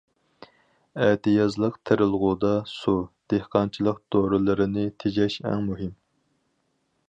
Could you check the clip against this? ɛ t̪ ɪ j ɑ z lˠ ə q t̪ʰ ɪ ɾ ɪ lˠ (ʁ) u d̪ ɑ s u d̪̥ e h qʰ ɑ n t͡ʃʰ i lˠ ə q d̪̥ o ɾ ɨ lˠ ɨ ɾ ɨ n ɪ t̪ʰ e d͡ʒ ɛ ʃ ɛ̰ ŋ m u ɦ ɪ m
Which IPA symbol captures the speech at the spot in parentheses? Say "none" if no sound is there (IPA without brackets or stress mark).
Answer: ʁ